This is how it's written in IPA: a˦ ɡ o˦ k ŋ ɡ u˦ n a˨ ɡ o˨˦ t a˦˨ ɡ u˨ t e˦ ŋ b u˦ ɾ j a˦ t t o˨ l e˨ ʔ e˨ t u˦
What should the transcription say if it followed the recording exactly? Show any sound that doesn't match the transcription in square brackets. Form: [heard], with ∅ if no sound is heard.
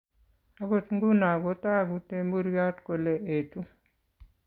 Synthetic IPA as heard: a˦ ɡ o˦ [t] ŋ ɡ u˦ n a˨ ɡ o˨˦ t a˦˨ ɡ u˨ t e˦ [m] b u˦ ɾ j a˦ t [k] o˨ l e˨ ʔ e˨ t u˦

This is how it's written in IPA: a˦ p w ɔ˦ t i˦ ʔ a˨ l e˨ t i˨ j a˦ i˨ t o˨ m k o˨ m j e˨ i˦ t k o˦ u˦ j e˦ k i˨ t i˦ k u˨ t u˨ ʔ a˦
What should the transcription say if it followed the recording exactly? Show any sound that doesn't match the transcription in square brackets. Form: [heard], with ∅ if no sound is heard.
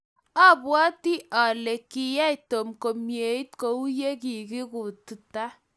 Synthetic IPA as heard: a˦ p w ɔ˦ t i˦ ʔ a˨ l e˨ [k] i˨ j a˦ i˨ t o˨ m k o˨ m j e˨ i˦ t k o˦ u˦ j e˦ k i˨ [k] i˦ k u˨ t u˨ [t] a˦

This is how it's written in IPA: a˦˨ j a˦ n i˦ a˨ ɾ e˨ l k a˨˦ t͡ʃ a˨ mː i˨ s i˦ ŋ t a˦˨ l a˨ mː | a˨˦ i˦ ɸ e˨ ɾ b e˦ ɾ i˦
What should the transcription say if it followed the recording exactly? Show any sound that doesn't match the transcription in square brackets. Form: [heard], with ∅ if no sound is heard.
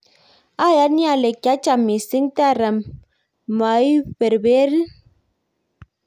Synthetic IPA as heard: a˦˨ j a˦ n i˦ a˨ [l] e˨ [∅] k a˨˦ t͡ʃ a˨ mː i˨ s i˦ ŋ t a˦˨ [ɾ] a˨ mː | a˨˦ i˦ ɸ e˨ ɾ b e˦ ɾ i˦

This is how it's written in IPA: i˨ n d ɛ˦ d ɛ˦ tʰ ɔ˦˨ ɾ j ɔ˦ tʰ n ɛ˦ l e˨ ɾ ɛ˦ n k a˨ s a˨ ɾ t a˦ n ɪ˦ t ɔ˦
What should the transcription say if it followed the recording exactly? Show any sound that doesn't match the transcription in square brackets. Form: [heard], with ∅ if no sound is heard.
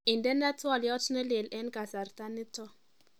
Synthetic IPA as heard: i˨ n d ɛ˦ [n] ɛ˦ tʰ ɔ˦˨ [l] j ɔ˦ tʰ n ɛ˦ l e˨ [l] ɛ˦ n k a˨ s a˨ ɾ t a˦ n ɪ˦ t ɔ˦

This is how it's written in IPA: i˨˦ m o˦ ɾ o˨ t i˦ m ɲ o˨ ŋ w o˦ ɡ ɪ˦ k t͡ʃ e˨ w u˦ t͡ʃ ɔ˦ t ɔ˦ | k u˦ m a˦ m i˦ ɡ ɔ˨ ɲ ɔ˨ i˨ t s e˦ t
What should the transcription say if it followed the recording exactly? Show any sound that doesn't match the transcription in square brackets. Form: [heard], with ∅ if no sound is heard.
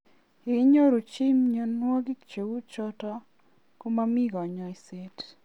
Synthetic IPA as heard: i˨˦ [ɲ] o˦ ɾ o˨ [t͡ʃ] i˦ m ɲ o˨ [n] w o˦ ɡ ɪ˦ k t͡ʃ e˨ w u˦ t͡ʃ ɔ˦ t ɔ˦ | k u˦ m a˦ m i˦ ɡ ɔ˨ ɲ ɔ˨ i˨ [∅] s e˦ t

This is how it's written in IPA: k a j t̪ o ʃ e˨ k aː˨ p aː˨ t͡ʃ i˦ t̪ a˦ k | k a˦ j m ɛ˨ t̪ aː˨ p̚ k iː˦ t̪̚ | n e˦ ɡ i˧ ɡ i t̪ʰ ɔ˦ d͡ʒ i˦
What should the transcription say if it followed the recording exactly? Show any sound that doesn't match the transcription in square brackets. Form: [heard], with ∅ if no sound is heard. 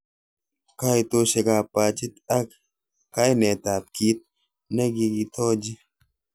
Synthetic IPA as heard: k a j t̪ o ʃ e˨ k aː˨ p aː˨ t͡ʃ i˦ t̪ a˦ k | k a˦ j [n] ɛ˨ t̪ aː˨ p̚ k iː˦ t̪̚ | n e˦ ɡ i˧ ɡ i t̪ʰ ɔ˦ d͡ʒ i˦

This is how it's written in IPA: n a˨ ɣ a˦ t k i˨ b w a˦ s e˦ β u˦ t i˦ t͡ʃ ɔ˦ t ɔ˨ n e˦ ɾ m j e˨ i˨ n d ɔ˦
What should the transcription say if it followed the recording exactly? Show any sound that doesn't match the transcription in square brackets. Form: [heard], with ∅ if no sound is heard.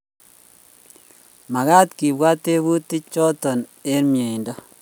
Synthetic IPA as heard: [m] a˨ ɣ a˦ t k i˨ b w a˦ [t] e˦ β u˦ t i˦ t͡ʃ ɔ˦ t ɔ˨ n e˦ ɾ m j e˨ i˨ n d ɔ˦

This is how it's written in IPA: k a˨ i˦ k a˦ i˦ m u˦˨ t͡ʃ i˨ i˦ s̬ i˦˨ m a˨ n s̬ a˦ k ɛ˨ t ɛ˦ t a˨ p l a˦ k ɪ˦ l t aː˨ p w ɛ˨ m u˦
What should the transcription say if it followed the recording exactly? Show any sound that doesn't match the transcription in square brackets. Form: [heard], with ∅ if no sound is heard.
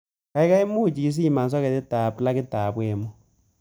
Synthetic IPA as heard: k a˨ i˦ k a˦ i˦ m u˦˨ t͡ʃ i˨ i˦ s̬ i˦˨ m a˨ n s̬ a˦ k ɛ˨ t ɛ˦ t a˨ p l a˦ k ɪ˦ [∅] t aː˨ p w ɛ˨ m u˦

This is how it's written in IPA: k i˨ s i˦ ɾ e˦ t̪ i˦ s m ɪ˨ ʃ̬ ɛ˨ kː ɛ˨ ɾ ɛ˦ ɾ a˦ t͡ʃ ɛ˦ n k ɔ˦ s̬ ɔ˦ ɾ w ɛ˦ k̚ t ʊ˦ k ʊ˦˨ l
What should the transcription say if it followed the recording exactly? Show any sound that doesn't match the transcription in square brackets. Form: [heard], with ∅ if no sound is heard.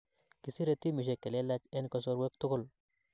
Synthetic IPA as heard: k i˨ s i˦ ɾ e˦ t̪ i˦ [∅] m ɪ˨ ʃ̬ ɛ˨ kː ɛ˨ [l] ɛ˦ [l] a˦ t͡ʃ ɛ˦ n k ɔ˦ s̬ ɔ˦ ɾ w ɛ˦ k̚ t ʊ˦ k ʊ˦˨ l

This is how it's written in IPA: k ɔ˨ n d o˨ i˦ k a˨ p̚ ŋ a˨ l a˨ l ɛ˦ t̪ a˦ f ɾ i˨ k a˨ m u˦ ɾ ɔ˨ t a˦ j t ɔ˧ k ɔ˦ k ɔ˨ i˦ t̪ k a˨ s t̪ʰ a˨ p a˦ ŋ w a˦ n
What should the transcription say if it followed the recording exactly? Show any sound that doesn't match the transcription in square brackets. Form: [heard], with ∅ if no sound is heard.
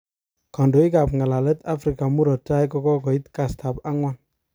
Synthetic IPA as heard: k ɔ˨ n d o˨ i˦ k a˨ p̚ ŋ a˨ l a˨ l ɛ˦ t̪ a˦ f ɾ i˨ k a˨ m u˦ ɾ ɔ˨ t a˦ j [k] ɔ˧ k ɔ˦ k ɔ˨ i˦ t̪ k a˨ s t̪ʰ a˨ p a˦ ŋ w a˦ n

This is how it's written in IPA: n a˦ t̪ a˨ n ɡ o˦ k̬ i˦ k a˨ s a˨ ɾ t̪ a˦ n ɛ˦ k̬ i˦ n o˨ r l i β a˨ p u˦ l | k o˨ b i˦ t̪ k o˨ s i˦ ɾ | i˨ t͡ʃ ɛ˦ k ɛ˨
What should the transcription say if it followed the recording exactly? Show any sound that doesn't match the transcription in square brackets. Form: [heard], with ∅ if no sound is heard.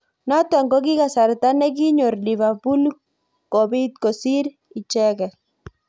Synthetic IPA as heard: n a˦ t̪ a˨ [ŋ] ɡ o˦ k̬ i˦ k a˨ s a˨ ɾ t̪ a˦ n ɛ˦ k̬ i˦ [ɲ] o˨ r l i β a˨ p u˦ l | k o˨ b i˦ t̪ k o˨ s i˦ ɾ | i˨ t͡ʃ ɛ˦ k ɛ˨

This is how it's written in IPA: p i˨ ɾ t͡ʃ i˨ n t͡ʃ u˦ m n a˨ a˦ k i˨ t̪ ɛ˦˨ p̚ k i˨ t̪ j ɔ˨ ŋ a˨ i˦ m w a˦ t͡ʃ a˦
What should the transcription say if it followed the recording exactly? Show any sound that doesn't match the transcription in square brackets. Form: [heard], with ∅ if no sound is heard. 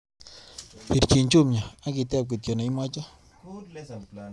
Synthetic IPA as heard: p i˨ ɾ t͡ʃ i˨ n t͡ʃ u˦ m [ɲ] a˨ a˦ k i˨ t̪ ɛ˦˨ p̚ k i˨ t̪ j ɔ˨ [n] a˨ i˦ m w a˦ t͡ʃ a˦

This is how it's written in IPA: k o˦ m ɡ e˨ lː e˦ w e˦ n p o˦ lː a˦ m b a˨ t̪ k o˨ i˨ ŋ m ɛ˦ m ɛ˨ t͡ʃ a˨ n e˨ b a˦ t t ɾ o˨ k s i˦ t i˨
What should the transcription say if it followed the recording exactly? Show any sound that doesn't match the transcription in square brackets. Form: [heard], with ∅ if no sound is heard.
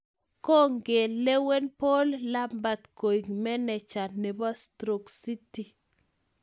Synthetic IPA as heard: k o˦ [ŋ] ɡ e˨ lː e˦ w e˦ n p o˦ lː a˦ m b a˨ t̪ k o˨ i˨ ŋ m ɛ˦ [n] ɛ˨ t͡ʃ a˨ n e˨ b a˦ [s] t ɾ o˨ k s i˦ t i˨

